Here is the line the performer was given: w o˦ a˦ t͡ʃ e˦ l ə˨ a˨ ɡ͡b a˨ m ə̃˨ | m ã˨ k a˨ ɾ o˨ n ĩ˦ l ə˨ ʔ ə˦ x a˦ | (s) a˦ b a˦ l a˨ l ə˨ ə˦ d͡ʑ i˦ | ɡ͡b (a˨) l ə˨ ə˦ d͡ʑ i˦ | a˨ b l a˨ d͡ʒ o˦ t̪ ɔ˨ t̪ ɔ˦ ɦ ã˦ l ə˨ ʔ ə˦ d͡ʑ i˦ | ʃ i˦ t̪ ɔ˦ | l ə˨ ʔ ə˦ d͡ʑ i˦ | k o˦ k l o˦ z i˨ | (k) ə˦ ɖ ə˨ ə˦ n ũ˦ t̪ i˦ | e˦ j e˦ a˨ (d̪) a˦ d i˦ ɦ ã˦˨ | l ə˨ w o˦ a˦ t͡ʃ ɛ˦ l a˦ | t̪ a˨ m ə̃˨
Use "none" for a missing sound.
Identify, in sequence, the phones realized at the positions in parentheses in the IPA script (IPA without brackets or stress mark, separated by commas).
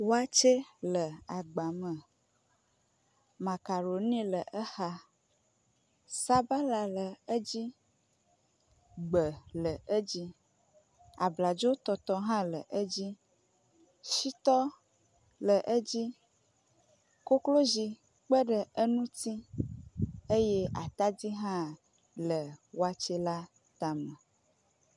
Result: s, ə˨, k͡p, t̪